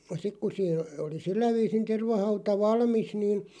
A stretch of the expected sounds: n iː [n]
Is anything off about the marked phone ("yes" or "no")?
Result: no